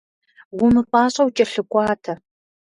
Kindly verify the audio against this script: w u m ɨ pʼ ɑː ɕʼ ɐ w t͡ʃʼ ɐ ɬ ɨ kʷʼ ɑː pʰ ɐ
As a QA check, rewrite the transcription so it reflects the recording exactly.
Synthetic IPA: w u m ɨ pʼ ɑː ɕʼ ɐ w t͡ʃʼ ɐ ɬ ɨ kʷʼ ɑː tʰ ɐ